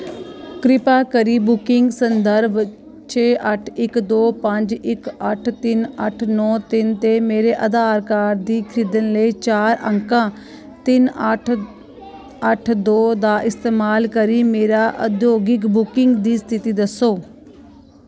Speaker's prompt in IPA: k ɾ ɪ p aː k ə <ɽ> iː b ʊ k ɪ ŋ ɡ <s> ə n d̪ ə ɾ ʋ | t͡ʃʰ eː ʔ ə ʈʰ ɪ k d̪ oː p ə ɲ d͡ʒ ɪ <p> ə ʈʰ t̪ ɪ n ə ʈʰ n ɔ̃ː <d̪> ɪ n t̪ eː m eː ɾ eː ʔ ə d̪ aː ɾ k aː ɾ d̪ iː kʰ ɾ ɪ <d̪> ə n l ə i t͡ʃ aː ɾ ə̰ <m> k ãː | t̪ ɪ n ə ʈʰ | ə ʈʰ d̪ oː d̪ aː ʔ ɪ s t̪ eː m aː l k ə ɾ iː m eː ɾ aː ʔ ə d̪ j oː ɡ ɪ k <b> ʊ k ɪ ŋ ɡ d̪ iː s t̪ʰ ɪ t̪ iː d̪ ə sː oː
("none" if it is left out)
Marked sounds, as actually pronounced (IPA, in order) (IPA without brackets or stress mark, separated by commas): ɾ, s, k, t̪, d̪, ŋ, b